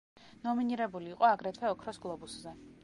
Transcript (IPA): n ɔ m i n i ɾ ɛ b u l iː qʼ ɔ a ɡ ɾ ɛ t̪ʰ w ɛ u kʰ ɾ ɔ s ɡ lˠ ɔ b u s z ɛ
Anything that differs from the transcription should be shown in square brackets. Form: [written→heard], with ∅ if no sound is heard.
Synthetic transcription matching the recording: n ɔ m i n i ɾ ɛ b u l iː qʼ ɔ a ɡ ɾ ɛ t̪ʰ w ɛ [u→ɔ] kʰ ɾ ɔ s ɡ lˠ ɔ b u s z ɛ